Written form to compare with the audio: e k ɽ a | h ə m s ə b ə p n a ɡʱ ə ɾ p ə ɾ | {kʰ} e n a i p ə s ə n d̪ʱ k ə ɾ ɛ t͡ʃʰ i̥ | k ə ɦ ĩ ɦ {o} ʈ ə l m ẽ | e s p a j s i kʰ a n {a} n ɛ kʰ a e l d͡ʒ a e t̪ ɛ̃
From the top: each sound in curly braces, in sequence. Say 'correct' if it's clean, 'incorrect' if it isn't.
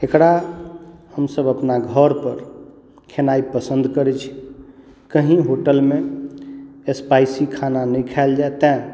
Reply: correct, correct, correct

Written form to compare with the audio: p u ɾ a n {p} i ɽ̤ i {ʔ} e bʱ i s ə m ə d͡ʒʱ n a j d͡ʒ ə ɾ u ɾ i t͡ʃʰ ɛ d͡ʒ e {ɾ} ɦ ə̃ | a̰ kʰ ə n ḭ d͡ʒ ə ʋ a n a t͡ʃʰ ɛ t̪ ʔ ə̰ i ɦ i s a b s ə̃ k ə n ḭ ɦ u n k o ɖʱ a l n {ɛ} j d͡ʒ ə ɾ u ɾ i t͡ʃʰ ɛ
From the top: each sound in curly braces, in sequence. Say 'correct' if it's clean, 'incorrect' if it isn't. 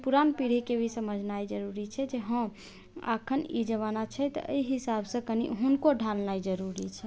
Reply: correct, incorrect: k, incorrect: none, incorrect: a

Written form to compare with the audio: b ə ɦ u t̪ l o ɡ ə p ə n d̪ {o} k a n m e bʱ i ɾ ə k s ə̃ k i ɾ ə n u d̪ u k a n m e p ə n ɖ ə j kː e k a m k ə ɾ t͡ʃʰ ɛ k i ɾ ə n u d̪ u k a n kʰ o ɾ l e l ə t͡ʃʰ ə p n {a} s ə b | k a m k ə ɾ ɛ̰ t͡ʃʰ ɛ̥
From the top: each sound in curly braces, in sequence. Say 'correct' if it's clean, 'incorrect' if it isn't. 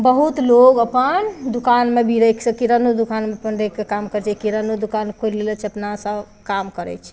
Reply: incorrect: u, correct

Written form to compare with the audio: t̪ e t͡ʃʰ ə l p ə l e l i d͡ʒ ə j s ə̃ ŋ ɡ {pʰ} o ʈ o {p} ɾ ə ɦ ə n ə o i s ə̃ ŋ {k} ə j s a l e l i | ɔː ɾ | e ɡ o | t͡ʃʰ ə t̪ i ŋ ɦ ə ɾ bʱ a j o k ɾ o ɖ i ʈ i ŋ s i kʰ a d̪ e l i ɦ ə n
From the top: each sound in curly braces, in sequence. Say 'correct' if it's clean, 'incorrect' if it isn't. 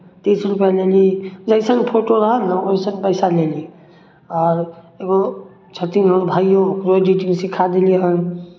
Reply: correct, incorrect: none, incorrect: p

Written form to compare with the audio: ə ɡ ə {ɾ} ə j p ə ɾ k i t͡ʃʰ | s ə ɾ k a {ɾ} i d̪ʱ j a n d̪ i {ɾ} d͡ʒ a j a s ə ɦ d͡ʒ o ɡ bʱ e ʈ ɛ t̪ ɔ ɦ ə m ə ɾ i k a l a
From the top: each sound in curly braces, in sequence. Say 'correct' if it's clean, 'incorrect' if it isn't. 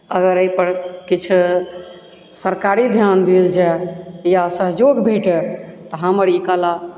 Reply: correct, correct, incorrect: l

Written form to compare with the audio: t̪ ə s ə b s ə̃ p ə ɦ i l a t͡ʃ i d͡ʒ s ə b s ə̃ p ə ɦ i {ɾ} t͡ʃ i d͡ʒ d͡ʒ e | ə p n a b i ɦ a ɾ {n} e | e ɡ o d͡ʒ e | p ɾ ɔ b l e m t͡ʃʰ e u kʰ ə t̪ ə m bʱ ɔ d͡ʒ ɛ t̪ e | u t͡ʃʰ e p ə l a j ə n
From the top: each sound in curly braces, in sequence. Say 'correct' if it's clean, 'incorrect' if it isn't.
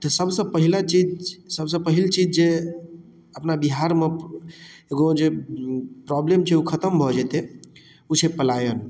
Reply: incorrect: l, incorrect: m

